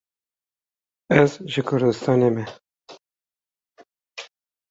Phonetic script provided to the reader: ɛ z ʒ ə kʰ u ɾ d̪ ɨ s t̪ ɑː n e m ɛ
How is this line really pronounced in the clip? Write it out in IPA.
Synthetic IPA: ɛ z ʒ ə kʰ ʊ ɾ d̪ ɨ s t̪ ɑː n e m ɛ